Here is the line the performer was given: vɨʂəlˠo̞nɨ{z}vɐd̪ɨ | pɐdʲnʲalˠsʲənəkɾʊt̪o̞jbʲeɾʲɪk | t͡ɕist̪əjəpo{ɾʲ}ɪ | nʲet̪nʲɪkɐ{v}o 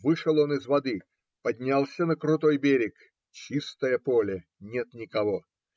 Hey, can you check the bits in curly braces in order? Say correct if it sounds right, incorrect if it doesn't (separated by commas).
correct, incorrect, correct